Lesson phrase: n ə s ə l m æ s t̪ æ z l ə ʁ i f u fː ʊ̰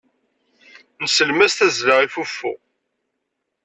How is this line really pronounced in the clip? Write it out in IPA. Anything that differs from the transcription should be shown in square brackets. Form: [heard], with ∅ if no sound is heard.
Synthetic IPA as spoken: n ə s ə l m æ s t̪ æ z l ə ʁ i f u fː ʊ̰